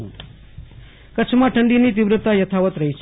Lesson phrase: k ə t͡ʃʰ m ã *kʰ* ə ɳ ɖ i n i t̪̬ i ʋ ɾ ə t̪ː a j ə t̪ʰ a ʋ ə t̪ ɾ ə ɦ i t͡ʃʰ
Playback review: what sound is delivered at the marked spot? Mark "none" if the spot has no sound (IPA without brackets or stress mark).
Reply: ʈʰ